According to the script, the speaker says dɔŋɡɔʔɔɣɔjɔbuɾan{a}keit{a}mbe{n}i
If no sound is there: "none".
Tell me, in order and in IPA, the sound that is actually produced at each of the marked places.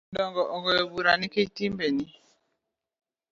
i, i, n

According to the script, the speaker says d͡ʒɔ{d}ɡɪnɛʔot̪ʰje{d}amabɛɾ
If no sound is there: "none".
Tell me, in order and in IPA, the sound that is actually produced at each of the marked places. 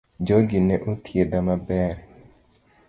none, d

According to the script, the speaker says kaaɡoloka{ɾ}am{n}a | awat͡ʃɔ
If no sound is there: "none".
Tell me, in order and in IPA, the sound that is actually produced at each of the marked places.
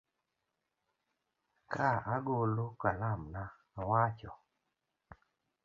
l, n

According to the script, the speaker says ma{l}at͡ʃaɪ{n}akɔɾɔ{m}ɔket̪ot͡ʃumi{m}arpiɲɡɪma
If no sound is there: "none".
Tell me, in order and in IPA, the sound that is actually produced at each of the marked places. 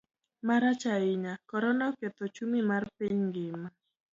ɾ, ɲ, n, m

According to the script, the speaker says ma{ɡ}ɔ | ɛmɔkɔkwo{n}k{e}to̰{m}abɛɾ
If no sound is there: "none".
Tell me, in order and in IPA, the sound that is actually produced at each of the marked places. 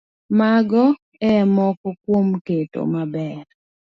ɡ, m, e, m

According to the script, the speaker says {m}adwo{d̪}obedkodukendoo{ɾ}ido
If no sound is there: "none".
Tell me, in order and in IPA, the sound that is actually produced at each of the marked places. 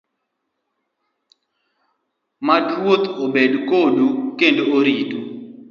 m, t̪, ɾ

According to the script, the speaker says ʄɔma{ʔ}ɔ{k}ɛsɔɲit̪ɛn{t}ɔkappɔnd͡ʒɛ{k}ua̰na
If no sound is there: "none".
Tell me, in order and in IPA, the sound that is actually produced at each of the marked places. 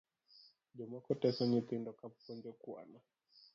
k, t, d, k

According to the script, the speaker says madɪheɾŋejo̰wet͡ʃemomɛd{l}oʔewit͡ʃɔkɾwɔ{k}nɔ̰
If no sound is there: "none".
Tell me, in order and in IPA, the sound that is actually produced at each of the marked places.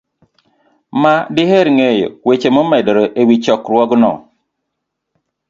ɾ, ɡ

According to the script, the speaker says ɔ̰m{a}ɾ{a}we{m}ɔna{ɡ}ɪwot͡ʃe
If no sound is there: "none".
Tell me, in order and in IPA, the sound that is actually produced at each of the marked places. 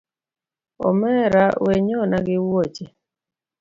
ɛ, a, ɲ, ɡ

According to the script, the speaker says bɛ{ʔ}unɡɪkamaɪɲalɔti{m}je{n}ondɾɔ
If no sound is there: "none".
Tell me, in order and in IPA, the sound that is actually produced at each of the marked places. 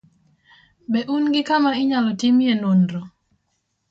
ʔ, m, n

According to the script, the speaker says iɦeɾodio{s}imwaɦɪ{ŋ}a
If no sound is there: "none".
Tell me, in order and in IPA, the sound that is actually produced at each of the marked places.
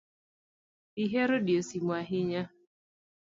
s, ɲ

